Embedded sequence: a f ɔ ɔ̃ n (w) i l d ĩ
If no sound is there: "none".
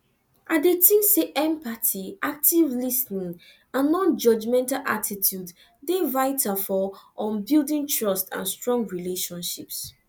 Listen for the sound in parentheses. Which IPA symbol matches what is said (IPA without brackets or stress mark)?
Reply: b